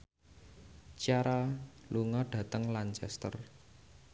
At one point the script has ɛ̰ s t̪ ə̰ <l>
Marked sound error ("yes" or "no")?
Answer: yes